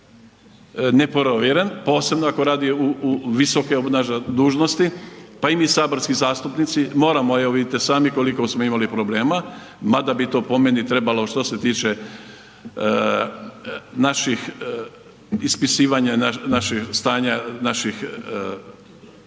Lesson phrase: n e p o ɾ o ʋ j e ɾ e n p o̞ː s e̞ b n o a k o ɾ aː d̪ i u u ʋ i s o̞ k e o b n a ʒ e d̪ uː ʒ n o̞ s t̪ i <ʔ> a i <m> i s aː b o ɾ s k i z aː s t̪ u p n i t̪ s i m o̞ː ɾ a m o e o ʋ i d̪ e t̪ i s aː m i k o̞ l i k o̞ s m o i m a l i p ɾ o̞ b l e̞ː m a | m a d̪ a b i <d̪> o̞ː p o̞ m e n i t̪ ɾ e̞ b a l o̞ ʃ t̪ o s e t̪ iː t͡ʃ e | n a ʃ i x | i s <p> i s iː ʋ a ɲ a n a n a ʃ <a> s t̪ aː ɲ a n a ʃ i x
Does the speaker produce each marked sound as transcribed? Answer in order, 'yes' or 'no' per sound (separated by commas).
no, yes, no, yes, no